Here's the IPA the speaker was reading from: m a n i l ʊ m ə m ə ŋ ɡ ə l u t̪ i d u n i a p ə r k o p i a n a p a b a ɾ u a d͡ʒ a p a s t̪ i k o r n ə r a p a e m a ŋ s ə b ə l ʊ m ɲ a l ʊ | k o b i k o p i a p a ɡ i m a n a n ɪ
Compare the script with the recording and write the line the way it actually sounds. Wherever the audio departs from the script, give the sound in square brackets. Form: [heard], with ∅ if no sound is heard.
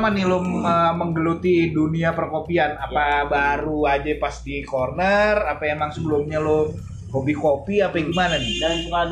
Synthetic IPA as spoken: m a n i l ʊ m ə m ə ŋ ɡ ə l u t̪ i d u n i a p ə r k o p i a n a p a b a ɾ u a d͡ʒ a p a s t̪ i k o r n ə r a p a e m a ŋ s ə b ə l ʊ m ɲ a l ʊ | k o b i k o p i a p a ɡ i m a n a n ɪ